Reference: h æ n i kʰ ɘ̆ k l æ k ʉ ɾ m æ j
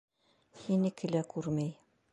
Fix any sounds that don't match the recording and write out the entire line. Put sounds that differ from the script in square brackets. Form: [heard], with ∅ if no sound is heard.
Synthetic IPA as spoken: h [i] n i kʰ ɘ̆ [∅] l æ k ʉ ɾ m æ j